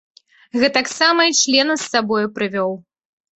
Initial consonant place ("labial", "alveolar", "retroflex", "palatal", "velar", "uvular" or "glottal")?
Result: velar